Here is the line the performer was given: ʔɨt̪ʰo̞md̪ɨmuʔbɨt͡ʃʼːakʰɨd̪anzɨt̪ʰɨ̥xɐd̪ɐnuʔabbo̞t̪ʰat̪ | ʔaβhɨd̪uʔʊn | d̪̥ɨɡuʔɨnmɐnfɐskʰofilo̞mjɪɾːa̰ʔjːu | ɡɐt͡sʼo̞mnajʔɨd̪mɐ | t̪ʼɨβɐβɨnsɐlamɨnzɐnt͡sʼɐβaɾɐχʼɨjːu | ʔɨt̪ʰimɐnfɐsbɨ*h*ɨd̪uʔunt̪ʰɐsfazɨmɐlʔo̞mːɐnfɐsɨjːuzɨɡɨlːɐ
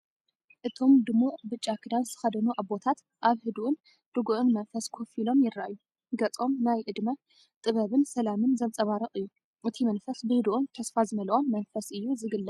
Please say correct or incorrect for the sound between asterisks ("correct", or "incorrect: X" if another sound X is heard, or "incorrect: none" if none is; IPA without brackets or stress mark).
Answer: correct